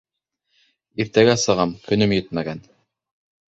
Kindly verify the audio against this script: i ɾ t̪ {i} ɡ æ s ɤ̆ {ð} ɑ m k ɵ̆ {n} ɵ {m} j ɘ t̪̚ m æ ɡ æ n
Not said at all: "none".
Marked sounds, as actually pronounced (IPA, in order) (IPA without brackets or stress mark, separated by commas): æ, ʁ, n, m